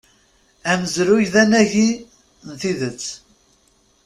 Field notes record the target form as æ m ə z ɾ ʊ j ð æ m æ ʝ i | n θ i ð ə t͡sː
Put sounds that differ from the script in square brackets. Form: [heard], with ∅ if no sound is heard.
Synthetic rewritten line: æ m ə z ɾ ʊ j ð æ [n] æ ʝ i | n θ i ð ə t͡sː